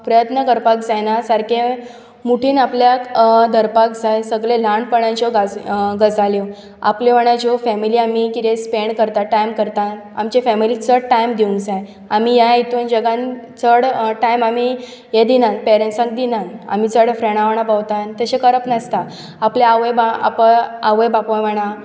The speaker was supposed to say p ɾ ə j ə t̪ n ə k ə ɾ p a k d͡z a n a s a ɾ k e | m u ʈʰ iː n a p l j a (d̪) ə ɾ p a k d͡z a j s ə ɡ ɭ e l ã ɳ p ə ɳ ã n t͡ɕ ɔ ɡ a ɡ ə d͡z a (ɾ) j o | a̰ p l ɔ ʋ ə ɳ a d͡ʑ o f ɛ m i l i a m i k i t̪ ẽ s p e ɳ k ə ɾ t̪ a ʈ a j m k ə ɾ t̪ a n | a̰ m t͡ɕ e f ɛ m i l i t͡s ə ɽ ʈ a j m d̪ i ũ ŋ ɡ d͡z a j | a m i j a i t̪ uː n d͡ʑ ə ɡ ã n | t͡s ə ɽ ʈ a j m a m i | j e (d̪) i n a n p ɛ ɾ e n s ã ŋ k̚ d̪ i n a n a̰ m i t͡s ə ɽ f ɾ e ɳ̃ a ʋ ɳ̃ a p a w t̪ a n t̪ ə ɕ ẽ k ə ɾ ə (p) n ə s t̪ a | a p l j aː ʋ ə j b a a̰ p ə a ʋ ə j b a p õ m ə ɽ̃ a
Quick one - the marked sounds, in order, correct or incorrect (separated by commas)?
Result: correct, incorrect, correct, correct